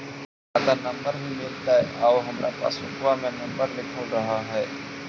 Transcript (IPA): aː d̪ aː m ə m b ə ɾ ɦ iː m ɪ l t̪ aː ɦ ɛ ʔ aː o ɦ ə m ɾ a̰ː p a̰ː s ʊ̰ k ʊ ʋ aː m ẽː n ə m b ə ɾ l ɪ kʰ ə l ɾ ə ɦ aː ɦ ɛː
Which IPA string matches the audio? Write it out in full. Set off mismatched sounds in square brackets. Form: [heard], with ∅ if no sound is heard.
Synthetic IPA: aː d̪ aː [n] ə m b ə ɾ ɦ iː m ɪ l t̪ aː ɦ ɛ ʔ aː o ɦ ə m ɾ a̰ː p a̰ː s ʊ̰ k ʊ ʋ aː m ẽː n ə m b ə ɾ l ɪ kʰ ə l ɾ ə ɦ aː ɦ ɛː